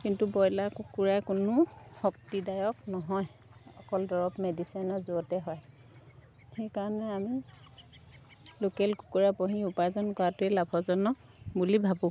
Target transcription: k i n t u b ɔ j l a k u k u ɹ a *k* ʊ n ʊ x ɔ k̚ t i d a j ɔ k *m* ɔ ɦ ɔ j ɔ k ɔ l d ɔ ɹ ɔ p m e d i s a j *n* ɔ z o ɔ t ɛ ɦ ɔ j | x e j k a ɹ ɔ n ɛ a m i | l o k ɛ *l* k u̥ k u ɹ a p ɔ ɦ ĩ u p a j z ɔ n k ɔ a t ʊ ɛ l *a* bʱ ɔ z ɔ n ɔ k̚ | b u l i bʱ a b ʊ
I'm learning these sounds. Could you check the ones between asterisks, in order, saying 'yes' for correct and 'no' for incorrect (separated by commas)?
yes, no, yes, yes, yes